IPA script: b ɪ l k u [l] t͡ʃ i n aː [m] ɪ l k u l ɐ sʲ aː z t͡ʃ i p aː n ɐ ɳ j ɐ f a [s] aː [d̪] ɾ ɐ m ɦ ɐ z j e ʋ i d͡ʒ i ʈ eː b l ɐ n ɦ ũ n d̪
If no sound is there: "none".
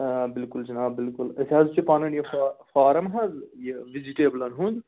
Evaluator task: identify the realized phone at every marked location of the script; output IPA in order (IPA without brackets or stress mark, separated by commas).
l, b, f, none